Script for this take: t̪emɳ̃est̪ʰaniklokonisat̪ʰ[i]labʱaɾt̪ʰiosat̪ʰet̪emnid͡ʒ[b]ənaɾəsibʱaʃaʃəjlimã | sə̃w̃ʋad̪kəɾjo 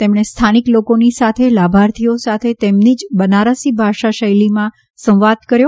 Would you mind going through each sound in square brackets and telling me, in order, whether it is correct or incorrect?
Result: incorrect: e, correct

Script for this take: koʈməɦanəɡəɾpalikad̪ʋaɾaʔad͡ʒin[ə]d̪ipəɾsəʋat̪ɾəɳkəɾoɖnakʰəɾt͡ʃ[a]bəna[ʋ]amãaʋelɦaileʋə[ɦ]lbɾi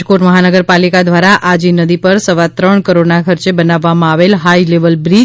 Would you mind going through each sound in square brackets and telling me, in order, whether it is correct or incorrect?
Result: correct, incorrect: e, incorrect: ʋː, incorrect: none

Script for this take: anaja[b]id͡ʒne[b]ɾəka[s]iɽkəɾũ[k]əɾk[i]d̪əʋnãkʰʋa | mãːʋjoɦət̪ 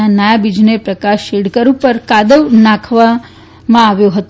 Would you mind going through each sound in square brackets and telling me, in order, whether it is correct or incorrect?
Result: correct, incorrect: p, incorrect: ʃ, incorrect: p, incorrect: a

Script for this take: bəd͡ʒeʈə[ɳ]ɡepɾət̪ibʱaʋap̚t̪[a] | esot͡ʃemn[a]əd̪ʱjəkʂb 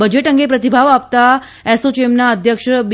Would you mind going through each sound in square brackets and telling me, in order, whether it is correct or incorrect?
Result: incorrect: ŋ, correct, correct

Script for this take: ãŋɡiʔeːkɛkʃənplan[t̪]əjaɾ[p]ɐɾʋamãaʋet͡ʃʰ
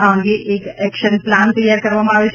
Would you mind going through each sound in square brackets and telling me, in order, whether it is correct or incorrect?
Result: correct, incorrect: k

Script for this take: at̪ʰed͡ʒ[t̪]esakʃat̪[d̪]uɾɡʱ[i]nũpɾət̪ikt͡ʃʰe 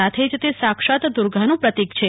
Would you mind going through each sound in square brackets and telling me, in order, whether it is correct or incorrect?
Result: correct, correct, incorrect: a

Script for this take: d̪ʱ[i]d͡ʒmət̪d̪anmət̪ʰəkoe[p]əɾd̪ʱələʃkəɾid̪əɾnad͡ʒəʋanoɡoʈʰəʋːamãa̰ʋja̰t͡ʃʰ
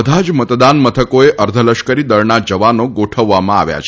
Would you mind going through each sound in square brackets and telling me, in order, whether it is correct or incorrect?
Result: incorrect: a, incorrect: ʔ

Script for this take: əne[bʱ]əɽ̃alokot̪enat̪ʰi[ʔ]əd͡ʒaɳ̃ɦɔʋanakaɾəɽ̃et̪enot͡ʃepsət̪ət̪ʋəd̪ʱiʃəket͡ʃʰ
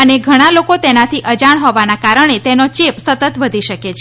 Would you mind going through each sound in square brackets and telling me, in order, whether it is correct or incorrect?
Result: incorrect: ɡʱ, correct

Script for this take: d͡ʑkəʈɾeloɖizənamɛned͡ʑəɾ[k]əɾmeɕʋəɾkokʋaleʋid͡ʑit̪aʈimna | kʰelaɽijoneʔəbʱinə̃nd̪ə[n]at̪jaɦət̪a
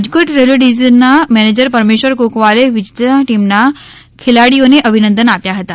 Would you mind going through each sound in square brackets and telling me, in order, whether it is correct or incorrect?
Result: incorrect: p, correct

